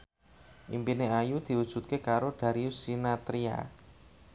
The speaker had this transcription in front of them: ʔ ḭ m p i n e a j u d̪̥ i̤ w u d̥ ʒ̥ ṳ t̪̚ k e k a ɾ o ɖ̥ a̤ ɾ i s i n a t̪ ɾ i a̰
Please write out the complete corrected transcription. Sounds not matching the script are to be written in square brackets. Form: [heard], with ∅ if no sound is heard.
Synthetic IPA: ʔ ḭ m p i n e a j u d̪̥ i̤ w u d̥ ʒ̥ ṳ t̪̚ k e k a ɾ o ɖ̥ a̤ ɾ i s i n a t̪ ɾ i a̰

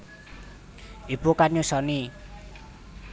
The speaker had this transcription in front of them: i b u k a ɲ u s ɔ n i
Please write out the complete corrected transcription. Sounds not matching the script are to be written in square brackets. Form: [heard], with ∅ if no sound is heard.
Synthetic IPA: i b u k a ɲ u s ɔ n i

